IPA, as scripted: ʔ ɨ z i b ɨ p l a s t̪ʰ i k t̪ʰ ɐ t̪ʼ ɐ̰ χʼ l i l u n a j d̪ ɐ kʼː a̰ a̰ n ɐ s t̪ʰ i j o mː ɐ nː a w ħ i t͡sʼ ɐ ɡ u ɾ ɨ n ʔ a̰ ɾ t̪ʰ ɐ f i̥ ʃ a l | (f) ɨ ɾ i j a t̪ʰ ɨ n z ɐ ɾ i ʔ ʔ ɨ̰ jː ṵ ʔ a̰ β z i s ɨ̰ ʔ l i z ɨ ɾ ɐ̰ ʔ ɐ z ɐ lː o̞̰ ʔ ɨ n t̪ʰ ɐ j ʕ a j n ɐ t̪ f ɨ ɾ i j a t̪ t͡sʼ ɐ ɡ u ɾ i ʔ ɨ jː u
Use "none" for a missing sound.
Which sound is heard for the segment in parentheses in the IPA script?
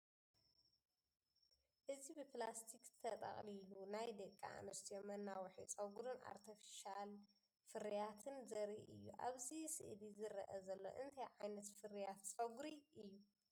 f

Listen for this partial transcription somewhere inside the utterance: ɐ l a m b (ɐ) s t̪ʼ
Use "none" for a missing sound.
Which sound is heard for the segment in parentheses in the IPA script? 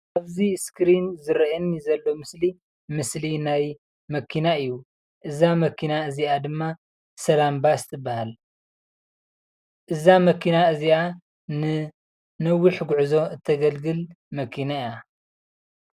a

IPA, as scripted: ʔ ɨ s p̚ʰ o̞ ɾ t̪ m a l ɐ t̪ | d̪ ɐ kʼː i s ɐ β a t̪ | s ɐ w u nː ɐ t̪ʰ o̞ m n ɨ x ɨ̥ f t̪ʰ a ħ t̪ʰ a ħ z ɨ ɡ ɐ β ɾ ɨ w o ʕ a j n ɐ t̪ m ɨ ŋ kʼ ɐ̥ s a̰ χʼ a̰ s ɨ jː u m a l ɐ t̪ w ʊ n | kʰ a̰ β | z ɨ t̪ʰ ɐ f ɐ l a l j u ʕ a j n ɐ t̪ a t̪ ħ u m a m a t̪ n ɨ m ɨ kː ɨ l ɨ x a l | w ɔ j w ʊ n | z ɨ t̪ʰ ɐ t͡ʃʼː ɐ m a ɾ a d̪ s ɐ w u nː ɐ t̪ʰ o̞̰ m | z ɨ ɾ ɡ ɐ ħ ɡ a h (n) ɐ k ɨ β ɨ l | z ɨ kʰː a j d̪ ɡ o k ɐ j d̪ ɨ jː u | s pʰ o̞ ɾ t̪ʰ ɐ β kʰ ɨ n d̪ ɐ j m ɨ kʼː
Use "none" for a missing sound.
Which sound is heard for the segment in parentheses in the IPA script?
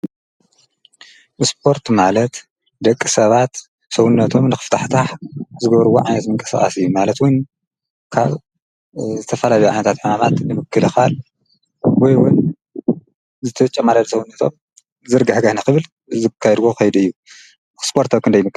n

